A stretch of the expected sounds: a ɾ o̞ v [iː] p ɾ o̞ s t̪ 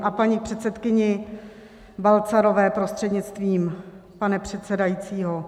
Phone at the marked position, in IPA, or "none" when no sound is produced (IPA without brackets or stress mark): ɛː